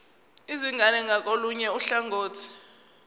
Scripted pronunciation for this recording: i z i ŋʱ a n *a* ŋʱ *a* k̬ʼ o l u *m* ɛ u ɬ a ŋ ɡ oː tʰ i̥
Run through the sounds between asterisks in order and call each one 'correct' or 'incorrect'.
incorrect: ɛ, correct, incorrect: ɲ

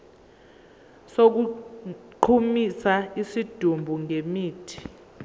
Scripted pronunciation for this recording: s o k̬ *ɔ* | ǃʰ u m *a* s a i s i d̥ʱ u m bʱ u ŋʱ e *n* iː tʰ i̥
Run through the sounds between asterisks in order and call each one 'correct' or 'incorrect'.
incorrect: u, incorrect: i, incorrect: m

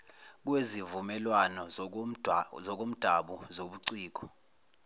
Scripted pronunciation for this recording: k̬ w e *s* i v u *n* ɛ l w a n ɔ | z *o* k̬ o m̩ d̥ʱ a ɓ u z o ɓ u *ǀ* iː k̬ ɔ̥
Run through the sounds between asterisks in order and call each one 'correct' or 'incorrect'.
incorrect: z, incorrect: m, incorrect: ɔ, correct

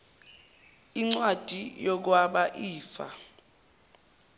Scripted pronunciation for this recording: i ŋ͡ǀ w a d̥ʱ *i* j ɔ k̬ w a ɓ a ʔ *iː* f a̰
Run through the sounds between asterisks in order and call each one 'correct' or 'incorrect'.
correct, correct

